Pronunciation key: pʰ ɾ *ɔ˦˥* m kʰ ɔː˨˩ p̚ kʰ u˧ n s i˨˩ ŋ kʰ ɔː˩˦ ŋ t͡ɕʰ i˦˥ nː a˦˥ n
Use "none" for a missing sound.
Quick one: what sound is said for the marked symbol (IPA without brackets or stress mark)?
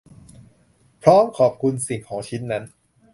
ɔː˦˥